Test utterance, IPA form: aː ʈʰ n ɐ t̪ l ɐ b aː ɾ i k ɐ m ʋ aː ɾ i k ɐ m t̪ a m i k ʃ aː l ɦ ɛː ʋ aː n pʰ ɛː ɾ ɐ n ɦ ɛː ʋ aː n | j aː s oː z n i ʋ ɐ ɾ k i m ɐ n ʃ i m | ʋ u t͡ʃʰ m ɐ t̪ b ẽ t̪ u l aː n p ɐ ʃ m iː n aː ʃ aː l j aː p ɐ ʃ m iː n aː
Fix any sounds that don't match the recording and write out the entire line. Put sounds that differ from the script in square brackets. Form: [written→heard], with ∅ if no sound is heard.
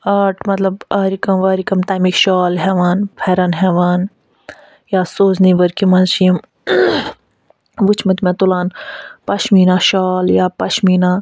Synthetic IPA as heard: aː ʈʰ [n→m] ɐ t̪ l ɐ b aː ɾ i k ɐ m ʋ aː ɾ i k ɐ m t̪ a m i k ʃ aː l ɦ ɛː ʋ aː n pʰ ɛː ɾ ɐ n ɦ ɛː ʋ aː n | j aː s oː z n i ʋ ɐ ɾ k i m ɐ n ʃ i m | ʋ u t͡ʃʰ m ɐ t̪ [b→m] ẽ t̪ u l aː n p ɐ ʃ m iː n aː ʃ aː l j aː p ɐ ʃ m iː n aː

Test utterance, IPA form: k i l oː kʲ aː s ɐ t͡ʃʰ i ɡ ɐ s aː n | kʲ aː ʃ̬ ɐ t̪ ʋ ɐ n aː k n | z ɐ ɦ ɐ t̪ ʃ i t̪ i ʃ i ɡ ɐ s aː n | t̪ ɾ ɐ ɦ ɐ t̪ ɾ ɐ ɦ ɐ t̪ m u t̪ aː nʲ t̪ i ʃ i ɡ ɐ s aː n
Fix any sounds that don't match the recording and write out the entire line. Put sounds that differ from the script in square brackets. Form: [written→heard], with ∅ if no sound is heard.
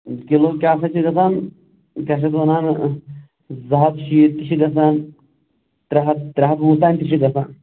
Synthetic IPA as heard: k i l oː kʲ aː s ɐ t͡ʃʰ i ɡ ɐ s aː n | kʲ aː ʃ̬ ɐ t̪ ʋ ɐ n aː [k→∅] n | z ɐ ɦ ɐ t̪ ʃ i t̪ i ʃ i ɡ ɐ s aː n | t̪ ɾ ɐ ɦ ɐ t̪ ɾ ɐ ɦ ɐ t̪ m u t̪ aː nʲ t̪ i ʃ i ɡ ɐ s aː n

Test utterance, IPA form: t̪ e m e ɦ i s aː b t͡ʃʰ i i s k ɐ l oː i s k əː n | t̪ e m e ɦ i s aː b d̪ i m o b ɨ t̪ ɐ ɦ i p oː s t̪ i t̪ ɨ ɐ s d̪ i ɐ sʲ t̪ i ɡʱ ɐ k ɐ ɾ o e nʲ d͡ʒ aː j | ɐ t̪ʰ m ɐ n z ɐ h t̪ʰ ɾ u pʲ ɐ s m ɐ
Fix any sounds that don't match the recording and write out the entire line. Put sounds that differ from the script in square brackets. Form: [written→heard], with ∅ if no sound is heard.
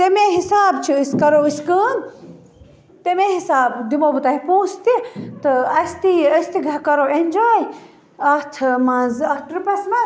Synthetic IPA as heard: t̪ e m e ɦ i s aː b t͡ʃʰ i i s k ɐ [l→ɾ] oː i s k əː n | t̪ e m e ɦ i s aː b d̪ i m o b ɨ t̪ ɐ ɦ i p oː s t̪ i t̪ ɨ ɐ s [d̪→t̪] i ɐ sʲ t̪ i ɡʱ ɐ k ɐ ɾ o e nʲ d͡ʒ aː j | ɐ t̪ʰ m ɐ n z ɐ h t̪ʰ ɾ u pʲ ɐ s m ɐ

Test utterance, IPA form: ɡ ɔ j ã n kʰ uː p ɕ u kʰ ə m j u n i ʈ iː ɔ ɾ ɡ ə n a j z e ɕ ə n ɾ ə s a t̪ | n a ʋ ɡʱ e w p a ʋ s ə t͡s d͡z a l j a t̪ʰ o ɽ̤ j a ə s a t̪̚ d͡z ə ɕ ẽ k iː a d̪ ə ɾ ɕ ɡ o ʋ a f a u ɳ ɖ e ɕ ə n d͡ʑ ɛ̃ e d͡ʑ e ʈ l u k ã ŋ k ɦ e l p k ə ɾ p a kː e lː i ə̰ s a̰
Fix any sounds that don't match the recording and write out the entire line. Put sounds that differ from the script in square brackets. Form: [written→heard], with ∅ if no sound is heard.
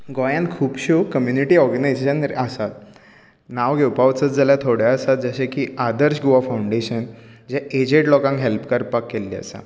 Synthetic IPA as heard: ɡ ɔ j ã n kʰ uː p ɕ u [kʰ→k] ə m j u n i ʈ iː ɔ ɾ ɡ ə n a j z e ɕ ə n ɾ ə s a t̪ | n a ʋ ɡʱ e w p a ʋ [s→t͡s] ə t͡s d͡z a l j a t̪ʰ o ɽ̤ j a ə s a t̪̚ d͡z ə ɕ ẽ k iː a d̪ ə ɾ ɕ ɡ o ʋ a f a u ɳ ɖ e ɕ ə n d͡ʑ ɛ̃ e d͡ʑ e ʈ l [u→ɔ] k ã ŋ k ɦ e l p k ə ɾ p a kː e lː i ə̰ s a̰

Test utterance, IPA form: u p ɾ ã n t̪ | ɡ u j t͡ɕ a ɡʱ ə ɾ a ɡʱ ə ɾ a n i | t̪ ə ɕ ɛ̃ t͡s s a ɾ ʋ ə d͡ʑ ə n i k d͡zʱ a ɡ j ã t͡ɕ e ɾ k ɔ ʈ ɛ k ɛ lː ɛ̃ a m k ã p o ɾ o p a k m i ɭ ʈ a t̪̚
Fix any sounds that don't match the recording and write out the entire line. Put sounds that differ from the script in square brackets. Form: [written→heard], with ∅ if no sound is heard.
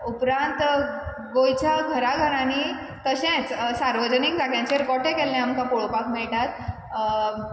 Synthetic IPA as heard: u p ɾ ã n t̪ | ɡ [u→o] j t͡ɕ a ɡʱ ə ɾ a ɡʱ ə ɾ a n i | t̪ ə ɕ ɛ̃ t͡s s a ɾ ʋ ə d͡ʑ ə n i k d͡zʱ a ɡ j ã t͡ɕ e ɾ k ɔ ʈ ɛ k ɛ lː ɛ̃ a m k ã p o [ɾ→ɭ] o p a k m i ɭ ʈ a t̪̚

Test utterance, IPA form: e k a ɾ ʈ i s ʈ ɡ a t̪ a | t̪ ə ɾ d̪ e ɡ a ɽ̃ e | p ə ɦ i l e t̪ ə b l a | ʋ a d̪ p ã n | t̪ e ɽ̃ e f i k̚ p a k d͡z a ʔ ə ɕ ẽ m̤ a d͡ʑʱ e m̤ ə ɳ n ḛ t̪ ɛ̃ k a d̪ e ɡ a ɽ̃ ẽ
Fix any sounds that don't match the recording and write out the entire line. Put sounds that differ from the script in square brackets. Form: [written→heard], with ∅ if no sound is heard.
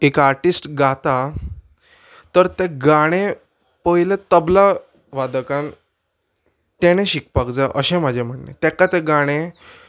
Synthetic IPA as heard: e k a ɾ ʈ i s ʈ ɡ a t̪ a | t̪ ə ɾ [d̪→t̪] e ɡ a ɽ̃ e | p ə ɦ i l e t̪ ə b l a | ʋ a d̪ [p→k] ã n | t̪ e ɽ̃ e [f→ɕ] i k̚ p a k d͡z a ʔ ə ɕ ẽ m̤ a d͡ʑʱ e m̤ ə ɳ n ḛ t̪ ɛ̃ k a [d̪→t̪] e ɡ a ɽ̃ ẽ

